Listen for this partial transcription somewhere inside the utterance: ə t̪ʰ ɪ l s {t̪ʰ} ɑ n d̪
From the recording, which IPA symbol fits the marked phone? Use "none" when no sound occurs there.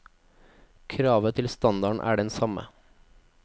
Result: t̪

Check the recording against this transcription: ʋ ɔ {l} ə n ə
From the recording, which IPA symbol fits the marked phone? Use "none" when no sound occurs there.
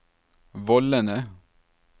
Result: l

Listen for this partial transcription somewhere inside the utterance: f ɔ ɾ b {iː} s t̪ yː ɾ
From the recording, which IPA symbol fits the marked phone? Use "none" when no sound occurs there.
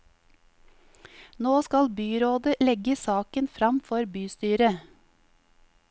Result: yː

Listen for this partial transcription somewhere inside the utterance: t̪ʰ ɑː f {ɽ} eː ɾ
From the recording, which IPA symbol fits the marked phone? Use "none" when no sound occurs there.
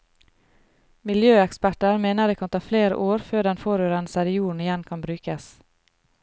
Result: l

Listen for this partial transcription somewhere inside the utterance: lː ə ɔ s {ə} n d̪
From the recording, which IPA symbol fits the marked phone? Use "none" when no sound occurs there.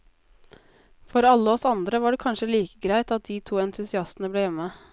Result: ɑ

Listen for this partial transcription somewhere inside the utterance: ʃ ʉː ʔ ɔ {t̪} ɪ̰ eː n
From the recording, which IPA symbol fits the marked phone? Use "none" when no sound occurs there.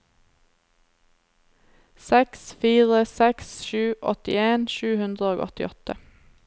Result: t̪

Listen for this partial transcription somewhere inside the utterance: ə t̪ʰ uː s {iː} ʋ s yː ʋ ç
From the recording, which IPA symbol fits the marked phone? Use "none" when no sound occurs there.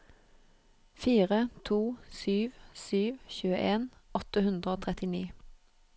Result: yː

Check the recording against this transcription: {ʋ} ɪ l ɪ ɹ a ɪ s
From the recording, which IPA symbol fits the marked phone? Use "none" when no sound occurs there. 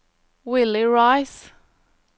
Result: w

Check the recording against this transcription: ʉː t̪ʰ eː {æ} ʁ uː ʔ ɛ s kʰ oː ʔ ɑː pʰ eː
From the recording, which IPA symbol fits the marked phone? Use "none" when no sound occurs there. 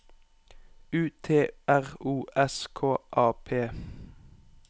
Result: æ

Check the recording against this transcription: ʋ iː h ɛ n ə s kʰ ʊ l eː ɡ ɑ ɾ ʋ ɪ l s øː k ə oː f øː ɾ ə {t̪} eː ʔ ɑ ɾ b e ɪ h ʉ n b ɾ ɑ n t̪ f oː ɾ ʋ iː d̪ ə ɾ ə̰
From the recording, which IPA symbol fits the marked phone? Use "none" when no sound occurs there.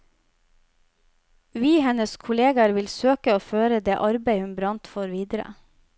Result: d̪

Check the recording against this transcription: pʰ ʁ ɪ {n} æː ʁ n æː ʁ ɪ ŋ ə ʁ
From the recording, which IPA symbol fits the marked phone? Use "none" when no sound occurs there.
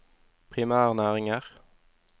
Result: m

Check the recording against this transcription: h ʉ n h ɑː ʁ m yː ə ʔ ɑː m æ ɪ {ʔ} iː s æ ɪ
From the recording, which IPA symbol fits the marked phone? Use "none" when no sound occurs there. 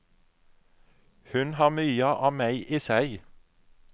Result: ʔ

